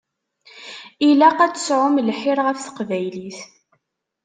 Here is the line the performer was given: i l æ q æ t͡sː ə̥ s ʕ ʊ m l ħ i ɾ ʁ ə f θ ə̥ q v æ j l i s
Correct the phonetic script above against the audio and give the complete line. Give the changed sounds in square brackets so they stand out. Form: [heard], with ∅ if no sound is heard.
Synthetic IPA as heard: i l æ q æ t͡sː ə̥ s ʕ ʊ m l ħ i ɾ ʁ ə f θ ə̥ q v æ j l i [θ]